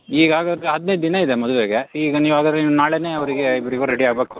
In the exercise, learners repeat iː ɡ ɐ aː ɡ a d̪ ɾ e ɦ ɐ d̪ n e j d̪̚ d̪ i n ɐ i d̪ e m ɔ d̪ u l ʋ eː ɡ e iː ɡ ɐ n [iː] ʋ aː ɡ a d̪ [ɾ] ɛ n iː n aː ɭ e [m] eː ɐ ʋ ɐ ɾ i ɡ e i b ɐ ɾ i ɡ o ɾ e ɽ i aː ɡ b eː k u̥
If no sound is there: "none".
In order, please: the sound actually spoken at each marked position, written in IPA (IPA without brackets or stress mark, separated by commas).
iː, ɾ, n